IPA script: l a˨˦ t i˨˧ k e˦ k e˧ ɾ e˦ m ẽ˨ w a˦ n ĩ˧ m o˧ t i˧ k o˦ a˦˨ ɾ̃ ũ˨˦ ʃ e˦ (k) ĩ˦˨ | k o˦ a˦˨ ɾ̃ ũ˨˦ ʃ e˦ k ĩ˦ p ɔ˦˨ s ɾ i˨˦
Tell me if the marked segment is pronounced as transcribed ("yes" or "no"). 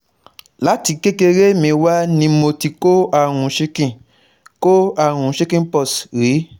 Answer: yes